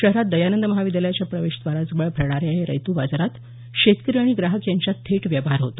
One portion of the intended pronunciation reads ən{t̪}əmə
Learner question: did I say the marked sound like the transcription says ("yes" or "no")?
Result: no